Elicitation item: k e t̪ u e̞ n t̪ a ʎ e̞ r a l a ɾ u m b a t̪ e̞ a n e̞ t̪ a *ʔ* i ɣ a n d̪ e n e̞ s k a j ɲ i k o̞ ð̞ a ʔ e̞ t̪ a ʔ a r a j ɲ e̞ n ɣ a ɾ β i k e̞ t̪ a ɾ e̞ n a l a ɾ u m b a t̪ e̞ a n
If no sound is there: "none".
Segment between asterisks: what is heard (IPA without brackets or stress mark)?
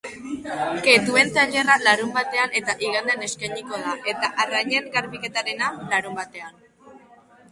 ʔ